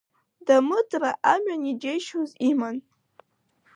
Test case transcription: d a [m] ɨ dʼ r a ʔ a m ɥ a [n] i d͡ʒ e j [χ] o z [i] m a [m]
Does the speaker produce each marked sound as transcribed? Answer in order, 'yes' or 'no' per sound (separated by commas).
yes, yes, no, yes, no